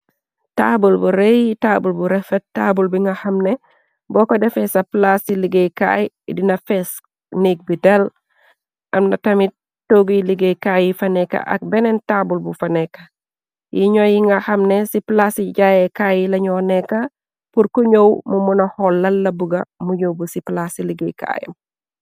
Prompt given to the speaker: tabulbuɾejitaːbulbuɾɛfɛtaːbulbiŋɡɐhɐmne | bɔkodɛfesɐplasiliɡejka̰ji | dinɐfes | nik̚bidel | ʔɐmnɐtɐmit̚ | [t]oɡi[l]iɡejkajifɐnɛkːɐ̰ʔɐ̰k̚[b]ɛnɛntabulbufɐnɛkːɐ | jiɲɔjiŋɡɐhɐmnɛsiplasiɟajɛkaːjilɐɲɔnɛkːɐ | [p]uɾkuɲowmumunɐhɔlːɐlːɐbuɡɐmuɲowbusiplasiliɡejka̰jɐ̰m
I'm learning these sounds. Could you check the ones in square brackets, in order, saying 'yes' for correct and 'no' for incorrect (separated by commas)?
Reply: yes, yes, yes, yes